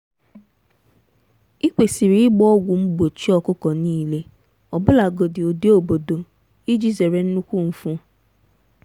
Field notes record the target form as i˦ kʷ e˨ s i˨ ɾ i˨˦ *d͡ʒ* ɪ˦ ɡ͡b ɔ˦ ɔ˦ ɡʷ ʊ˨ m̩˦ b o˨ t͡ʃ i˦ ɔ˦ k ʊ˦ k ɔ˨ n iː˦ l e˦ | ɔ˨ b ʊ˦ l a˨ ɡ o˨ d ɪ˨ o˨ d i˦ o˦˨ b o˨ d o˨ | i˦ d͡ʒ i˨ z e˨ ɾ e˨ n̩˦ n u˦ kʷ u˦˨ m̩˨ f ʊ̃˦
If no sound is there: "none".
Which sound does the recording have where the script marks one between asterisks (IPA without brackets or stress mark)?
none